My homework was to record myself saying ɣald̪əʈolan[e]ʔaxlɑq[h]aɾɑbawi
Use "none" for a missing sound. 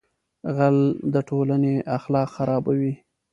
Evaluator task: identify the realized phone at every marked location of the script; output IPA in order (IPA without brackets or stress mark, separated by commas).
e, x